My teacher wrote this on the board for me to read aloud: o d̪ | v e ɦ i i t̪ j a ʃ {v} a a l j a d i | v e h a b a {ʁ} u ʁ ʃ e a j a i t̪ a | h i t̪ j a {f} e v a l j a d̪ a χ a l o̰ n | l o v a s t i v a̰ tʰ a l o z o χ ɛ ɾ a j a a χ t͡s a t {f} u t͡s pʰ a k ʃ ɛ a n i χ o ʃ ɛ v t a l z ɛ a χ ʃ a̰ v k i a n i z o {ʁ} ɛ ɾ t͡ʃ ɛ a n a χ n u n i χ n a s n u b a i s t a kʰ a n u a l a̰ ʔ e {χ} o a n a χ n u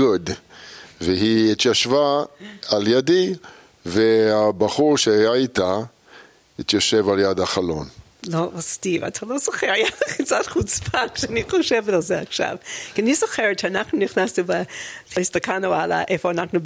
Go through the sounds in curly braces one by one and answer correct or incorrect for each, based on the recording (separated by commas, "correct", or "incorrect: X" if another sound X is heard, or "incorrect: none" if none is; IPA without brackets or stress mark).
correct, incorrect: χ, incorrect: ʃ, incorrect: χ, incorrect: χ, incorrect: f